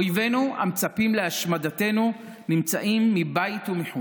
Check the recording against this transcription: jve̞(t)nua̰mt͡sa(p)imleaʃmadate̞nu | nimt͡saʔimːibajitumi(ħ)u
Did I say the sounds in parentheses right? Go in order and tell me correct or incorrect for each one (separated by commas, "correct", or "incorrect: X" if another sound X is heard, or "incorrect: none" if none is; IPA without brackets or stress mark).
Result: incorrect: none, correct, correct